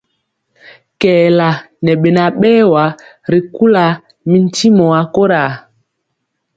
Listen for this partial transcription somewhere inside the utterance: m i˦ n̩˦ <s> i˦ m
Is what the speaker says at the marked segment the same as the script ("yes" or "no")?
no